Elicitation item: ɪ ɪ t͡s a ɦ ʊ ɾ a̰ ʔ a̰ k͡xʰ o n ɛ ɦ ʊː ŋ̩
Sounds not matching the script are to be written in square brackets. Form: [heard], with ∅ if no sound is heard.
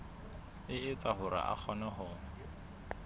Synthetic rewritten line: ɪ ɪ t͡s a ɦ ʊ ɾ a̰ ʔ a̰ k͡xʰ [ɔ] n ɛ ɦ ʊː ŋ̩